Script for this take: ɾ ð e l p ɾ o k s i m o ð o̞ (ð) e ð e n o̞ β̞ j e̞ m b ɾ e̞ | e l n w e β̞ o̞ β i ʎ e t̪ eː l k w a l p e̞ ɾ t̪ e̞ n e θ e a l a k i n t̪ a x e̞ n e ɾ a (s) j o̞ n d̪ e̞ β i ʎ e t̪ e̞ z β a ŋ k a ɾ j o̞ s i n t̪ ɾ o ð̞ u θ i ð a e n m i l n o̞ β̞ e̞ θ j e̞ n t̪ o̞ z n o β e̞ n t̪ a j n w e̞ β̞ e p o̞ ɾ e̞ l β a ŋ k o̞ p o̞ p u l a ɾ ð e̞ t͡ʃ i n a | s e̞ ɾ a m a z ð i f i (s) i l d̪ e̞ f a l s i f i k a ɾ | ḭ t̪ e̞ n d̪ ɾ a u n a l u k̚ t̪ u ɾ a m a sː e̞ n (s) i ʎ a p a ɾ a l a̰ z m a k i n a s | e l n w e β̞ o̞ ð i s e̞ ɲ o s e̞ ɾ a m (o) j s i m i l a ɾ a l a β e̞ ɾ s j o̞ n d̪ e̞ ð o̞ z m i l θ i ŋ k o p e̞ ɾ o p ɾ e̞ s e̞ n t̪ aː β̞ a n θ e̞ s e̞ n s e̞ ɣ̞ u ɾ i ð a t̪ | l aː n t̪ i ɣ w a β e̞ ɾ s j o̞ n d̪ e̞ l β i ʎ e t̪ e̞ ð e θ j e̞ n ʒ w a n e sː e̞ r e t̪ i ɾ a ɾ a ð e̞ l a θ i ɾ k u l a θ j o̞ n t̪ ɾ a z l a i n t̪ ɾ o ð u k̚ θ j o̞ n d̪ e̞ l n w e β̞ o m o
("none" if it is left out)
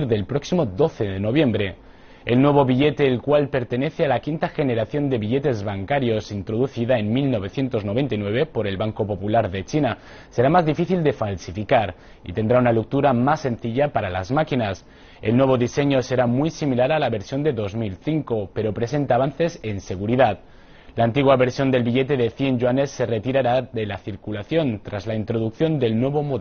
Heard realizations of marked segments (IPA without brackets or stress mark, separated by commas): θ, θ, θ, θ, u